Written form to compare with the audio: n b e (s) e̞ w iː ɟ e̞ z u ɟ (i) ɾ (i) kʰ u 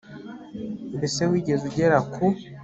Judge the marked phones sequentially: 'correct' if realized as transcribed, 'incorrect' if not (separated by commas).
correct, incorrect, incorrect